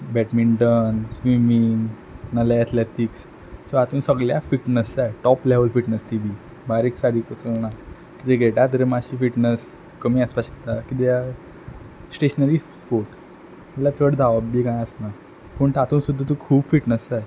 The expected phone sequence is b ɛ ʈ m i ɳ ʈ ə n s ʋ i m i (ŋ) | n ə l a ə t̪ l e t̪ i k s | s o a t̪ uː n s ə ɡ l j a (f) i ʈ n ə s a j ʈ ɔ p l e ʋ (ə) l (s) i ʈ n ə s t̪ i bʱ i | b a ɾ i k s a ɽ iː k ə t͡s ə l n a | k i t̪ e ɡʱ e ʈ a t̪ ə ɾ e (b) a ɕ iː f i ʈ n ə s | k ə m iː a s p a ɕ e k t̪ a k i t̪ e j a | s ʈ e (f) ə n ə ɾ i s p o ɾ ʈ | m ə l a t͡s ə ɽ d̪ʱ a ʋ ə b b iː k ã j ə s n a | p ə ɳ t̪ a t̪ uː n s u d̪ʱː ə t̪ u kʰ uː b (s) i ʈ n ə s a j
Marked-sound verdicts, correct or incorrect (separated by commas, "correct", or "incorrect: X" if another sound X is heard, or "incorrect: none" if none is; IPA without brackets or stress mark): correct, correct, correct, incorrect: f, incorrect: m, incorrect: ɕ, incorrect: f